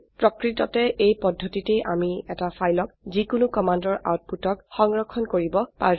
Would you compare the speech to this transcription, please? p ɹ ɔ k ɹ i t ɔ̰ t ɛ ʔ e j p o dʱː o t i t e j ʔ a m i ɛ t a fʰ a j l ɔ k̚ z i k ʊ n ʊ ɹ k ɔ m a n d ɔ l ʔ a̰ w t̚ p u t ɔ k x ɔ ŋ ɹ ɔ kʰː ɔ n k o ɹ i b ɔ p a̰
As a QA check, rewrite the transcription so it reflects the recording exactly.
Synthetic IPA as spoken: p ɹ ɔ k ɹ i t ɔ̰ t ɛ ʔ e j p ɔ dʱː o t i t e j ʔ a m i ɛ t a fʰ a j l ɔ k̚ z i k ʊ n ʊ k ɔ m a n d ɔ ɹ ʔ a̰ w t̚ p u t ɔ k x ɔ ŋ ɹ ɔ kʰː ɔ n k o ɹ i b ɔ p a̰